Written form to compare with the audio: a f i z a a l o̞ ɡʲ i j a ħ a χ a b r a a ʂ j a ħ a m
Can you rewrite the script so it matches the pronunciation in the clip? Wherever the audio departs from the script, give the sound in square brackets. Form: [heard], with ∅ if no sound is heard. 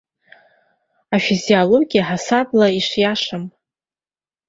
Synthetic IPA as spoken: a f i z [i] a l o̞ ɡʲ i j a ħ a [s] a b [l] a [i] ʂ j a [ʂ] a m